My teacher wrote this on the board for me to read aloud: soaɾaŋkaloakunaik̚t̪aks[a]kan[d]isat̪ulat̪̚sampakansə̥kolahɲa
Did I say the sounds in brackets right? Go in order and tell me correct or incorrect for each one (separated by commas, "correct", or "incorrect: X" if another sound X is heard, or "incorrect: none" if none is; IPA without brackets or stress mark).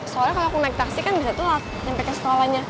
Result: incorrect: i, incorrect: b